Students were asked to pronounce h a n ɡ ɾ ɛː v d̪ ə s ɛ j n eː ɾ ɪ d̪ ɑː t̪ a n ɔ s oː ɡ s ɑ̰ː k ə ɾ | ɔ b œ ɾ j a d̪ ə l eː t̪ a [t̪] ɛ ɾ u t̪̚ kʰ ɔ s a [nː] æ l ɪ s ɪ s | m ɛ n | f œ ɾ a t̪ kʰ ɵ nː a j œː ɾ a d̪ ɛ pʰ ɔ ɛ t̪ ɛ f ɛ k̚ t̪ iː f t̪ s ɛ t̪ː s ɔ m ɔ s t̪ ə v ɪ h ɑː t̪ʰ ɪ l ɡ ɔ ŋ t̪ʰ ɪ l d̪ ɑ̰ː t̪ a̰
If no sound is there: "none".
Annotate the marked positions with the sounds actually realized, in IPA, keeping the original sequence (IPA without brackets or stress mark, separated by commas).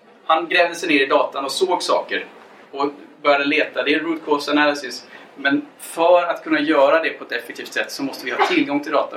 d̪, n